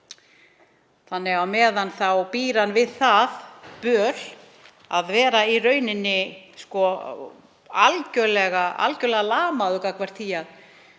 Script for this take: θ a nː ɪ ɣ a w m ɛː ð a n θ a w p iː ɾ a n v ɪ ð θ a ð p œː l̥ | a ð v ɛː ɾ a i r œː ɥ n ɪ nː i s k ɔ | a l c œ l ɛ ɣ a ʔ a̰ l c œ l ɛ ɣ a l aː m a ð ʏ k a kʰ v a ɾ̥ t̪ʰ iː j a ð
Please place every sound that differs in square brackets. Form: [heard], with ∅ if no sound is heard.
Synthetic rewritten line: θ a nː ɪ ɣ a w m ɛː ð a n θ a w p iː ɾ a n v ɪ ð θ a ð p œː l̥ | a ð v ɛː ɾ a i r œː ɥ n ɪ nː [ɪ] s k ɔ | a l c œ l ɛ ɣ a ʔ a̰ l c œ l ɛ ɣ a l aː m a ð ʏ k a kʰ v a ɾ̥ t̪ʰ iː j a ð